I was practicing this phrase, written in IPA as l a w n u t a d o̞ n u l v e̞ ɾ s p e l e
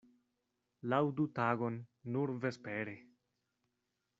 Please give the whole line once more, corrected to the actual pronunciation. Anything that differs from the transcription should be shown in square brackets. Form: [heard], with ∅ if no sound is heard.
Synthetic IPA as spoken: l a w [d] u t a [ɡ] o̞ [nː] u [ɾ] v e̞ [∅] s p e [ɾ] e